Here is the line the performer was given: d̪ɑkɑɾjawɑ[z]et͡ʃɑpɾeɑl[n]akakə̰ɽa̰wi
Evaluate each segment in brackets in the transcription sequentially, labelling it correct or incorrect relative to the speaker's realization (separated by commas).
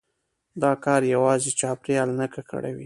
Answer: correct, correct